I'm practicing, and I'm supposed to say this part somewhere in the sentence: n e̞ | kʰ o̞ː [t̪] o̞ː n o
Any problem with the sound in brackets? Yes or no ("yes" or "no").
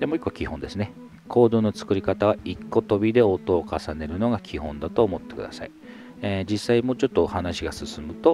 yes